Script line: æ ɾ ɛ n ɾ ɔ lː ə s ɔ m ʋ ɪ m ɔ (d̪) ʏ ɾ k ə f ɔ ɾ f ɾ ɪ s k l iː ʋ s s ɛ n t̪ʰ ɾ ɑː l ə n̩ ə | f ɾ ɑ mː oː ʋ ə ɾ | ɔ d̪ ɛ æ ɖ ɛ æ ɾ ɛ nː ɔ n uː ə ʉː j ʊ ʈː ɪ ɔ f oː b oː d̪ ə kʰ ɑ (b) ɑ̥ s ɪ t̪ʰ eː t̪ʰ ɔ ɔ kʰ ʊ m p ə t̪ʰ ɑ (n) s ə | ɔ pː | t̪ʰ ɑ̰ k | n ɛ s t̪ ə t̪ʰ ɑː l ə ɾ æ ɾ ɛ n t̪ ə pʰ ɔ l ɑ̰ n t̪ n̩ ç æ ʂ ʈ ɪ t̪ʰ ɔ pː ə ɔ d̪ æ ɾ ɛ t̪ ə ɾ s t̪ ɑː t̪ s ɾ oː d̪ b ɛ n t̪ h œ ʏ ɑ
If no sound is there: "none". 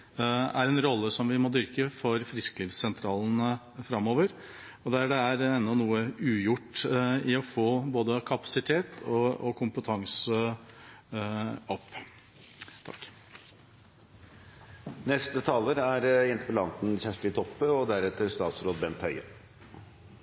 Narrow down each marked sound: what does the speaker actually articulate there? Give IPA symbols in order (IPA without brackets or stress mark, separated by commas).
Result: d̪, p, ŋ